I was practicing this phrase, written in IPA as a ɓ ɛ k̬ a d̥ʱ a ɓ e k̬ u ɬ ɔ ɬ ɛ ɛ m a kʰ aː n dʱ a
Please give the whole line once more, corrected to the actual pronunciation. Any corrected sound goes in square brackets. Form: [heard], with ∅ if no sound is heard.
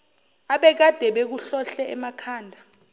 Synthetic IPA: a ɓ ɛ k̬ a d̥ʱ [ɛ] ɓ e k̬ u ɬ ɔ ɬ ɛ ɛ m a kʰ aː n dʱ a